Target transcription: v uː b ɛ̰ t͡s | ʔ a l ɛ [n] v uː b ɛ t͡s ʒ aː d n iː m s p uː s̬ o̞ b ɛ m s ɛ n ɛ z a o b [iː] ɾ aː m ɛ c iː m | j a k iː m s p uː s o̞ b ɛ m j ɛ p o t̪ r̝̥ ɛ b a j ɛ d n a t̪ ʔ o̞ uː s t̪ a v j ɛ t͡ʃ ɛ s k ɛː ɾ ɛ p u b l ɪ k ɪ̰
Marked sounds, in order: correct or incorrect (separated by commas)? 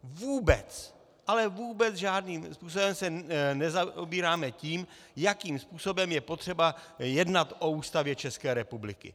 incorrect, correct